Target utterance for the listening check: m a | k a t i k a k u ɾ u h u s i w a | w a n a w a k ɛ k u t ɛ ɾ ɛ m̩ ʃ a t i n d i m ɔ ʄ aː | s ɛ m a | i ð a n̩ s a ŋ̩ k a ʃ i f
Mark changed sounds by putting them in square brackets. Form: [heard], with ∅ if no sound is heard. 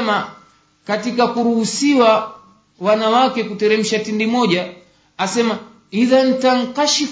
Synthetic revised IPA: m a | k a t i k a k u ɾ u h u s i w a | w a n a w a k ɛ k u t ɛ ɾ ɛ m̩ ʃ a t i n d i m ɔ ʄ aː | s ɛ m a | i ð a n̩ [t] a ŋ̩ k a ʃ i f